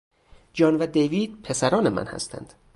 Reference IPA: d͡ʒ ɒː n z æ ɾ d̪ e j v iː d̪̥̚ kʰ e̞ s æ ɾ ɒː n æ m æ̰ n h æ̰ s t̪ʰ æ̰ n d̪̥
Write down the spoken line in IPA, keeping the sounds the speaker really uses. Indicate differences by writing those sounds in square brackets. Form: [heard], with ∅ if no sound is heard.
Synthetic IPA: d͡ʒ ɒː n [v] æ [∅] d̪ e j v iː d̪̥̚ [pʰ] e̞ s æ ɾ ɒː n [e] m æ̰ n h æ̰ s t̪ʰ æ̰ n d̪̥